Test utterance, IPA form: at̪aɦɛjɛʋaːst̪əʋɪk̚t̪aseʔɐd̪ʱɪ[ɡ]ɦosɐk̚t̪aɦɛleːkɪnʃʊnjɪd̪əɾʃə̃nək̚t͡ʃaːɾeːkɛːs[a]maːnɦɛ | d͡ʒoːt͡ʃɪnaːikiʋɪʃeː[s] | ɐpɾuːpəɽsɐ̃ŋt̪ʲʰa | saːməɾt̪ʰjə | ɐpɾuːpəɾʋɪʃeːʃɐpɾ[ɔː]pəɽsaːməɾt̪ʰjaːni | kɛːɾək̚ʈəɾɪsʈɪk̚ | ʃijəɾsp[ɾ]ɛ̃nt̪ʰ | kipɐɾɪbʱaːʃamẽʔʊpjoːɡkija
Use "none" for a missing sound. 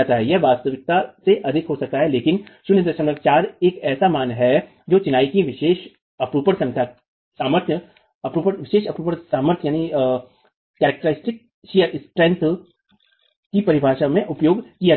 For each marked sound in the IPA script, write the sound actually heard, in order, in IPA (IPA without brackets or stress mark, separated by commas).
k, a, ʃ, uː, ɾ